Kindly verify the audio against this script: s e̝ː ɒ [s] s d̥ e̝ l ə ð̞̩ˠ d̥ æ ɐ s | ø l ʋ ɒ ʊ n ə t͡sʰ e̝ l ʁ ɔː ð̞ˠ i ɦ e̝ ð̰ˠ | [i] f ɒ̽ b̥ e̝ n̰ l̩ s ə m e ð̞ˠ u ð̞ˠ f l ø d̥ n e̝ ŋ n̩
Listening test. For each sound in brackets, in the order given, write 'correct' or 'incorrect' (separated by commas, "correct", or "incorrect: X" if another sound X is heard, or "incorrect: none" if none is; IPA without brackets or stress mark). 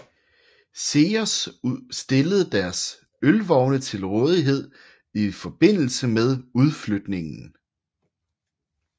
correct, correct